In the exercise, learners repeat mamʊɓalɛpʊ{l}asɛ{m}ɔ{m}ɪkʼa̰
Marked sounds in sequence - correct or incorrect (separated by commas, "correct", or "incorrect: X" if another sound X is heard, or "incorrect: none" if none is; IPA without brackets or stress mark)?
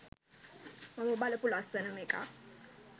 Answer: correct, incorrect: n, correct